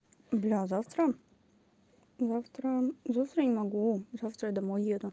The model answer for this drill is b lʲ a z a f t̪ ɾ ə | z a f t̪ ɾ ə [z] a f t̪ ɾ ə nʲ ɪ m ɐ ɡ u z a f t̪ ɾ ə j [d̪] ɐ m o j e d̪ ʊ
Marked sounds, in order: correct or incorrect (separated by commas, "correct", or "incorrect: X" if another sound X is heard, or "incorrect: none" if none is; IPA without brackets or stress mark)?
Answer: correct, correct